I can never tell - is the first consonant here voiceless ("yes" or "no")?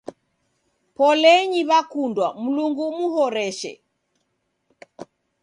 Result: yes